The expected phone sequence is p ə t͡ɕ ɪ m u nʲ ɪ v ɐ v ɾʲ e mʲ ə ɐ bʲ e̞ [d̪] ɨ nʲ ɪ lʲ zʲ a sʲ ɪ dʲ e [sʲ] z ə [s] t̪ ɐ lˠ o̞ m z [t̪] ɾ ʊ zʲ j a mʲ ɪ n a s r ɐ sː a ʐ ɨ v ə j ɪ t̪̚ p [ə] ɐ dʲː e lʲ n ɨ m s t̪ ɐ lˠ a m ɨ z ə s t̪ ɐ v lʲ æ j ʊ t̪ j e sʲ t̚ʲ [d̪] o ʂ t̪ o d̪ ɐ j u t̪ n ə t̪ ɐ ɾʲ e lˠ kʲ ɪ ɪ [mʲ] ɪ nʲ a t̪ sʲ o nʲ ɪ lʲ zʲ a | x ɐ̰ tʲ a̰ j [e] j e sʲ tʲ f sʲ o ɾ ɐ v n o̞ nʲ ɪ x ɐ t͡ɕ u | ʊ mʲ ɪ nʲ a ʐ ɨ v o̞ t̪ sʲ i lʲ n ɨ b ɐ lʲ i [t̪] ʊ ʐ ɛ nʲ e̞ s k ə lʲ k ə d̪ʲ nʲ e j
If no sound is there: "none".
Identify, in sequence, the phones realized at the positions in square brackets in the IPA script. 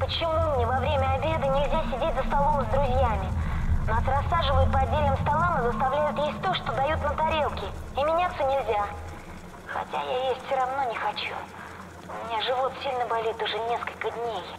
d̪, tʲ, s, d̪, ə, t̪, mʲ, a, t̪

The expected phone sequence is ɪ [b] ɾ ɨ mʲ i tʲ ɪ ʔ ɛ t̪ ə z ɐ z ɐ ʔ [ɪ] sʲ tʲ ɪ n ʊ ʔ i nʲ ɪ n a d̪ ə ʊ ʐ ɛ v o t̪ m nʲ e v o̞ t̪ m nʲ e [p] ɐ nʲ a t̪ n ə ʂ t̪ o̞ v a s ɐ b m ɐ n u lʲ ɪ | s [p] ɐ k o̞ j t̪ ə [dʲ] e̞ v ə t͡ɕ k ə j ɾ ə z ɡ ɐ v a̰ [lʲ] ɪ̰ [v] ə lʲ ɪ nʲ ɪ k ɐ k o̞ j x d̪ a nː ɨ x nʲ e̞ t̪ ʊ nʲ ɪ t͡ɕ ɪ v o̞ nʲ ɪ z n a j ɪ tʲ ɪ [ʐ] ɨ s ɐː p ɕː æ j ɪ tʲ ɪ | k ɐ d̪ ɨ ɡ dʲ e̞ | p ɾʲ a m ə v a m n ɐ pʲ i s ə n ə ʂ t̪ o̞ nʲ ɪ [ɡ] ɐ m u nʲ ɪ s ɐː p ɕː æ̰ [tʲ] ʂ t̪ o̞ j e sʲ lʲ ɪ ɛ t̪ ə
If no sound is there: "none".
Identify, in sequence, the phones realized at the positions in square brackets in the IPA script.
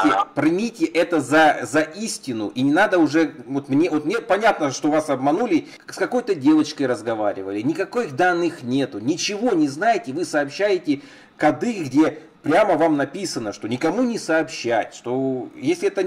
p, i, p, k, dʲ, ɾʲ, v, v, k, tʲ

